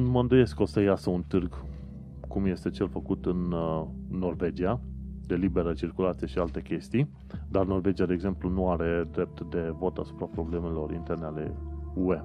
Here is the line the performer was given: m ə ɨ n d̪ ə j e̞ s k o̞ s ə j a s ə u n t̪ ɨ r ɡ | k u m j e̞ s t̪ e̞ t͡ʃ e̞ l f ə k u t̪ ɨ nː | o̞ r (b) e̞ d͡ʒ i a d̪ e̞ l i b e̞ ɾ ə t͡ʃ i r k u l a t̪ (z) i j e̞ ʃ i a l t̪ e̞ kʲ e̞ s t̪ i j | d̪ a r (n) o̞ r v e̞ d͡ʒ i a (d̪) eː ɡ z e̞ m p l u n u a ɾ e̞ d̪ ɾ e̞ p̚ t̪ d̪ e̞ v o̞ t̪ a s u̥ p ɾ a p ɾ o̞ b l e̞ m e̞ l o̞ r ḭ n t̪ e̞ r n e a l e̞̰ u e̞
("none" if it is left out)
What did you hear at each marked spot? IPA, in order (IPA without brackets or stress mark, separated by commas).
v, s, n, d̪